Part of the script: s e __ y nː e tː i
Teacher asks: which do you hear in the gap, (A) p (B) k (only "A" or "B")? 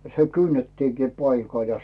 B